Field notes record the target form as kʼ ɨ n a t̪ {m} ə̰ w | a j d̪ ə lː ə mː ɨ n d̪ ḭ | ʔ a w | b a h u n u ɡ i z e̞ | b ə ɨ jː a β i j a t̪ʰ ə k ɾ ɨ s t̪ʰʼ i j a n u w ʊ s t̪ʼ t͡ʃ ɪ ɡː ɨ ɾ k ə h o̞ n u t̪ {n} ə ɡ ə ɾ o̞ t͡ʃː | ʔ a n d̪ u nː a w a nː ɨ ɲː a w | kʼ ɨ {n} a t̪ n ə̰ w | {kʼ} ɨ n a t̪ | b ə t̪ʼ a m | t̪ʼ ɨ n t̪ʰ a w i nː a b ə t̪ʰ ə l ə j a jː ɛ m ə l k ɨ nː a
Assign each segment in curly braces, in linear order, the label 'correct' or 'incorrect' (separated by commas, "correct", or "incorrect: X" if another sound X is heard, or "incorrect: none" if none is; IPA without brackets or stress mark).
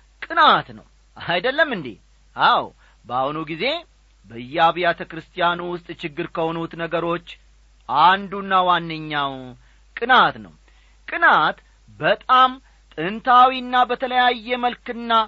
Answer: incorrect: n, correct, correct, correct